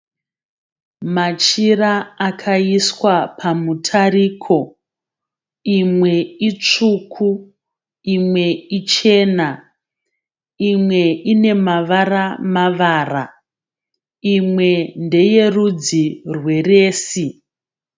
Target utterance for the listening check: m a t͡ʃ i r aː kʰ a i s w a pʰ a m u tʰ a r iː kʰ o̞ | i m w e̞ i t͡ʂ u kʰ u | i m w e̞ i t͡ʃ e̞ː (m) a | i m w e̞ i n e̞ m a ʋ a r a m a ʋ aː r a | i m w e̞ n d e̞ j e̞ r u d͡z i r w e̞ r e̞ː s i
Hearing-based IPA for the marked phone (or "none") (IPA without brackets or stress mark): n